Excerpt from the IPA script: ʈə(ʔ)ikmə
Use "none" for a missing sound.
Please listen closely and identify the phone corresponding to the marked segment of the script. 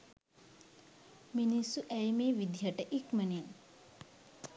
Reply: ʔ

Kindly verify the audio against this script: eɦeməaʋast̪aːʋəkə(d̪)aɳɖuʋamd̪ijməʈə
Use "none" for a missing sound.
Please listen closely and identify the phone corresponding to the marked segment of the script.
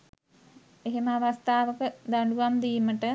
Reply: d̪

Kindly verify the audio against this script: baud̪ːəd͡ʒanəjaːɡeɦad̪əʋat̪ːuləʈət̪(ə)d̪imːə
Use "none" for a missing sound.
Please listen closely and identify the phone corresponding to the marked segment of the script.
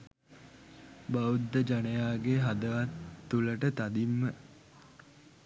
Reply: a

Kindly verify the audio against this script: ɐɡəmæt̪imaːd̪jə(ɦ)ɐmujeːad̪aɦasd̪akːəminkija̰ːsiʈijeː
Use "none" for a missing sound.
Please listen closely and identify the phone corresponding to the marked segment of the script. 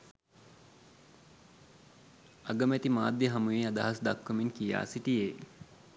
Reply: ɦ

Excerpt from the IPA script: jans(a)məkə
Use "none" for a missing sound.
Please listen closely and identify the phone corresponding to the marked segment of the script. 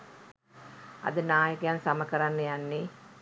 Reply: a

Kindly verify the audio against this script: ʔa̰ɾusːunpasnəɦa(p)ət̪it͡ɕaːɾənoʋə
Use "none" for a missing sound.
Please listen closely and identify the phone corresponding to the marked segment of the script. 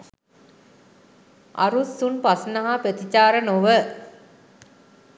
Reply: p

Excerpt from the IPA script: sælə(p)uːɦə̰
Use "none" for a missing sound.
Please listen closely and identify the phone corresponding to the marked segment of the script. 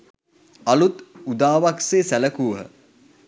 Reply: k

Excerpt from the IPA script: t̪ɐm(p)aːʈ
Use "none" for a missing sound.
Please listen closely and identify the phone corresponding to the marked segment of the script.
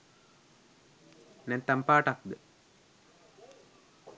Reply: p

